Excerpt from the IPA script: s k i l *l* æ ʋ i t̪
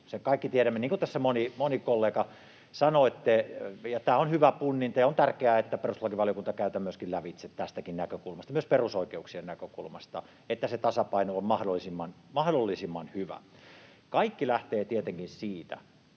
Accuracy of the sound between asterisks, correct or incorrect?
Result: correct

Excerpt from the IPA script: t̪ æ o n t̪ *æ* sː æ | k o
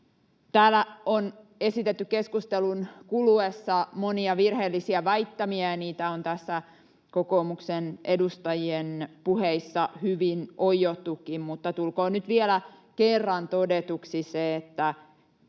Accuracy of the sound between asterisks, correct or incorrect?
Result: correct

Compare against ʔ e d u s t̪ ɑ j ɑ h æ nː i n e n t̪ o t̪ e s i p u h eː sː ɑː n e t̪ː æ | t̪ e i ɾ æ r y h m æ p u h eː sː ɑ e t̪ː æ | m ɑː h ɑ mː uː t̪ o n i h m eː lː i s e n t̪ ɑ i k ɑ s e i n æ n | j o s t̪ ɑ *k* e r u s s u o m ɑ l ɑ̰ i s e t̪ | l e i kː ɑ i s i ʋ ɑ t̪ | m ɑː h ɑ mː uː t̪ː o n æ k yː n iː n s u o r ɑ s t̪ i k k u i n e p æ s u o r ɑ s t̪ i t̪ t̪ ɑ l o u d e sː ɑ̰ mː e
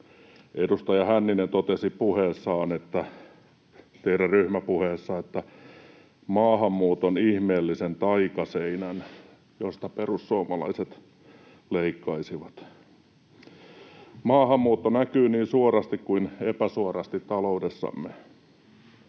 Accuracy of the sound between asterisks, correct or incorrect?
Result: incorrect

